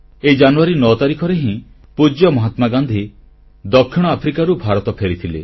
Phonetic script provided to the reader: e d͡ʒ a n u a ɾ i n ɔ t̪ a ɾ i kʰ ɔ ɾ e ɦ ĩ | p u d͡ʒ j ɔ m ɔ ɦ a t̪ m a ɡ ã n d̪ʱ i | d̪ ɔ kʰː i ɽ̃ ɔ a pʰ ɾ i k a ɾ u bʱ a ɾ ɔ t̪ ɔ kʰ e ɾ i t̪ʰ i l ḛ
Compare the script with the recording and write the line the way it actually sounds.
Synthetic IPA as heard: e d͡ʒ a n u a ɾ i n ɔ t̪ a ɾ i kʰ ɔ ɾ e ɦ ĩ | p u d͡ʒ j ɔ m ɔ ɦ a t̪ m a ɡ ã n d̪ʱ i | d̪ ɔ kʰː i ɽ̃ ɔ a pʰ ɾ i k a ɾ u bʱ a ɾ ɔ t̪ ɔ pʰ e ɾ i t̪ʰ i l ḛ